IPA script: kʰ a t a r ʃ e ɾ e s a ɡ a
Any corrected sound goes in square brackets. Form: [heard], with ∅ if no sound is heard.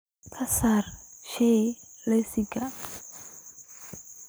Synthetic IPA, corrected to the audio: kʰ a [s] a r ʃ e [l] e s [i] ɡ a